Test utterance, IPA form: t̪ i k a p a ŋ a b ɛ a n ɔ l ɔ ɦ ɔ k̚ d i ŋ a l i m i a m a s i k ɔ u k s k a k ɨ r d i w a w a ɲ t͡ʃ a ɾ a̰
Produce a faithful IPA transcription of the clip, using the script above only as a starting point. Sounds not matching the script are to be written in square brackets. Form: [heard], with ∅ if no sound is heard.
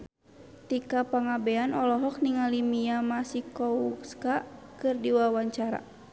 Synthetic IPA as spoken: t̪ i k a p a ŋ a b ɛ a n ɔ l ɔ ɦ ɔ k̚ [n] i ŋ a l i m i a m a s i k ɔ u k s k a k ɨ r d i w a w a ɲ t͡ʃ a ɾ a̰